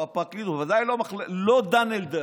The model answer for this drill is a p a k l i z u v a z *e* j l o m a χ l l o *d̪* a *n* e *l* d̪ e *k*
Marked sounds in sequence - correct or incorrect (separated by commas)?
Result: incorrect, correct, correct, correct, incorrect